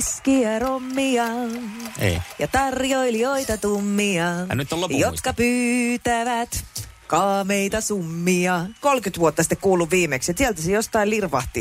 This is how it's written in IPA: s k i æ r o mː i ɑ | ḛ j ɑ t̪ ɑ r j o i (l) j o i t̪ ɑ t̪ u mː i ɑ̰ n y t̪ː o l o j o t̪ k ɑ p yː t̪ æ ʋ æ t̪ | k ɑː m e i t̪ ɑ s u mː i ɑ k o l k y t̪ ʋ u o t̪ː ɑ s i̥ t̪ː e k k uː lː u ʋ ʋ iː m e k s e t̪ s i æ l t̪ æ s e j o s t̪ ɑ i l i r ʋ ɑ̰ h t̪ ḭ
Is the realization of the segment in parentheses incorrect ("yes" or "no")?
no